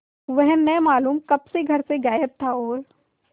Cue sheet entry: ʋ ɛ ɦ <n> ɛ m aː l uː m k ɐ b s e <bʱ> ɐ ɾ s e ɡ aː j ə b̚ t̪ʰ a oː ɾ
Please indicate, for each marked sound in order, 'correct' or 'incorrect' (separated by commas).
correct, incorrect